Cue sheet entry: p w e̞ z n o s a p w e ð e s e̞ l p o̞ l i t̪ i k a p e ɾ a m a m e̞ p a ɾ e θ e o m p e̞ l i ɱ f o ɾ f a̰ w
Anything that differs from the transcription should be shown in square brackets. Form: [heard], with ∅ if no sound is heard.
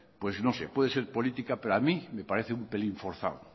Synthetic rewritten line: p w e̞ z n o s [e] p w e ð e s e̞ [ɾ] p o̞ l i t̪ i k a p e ɾ a m [i] m e̞ p a ɾ e θ e [u] m p e̞ l i ɱ f o ɾ [θ] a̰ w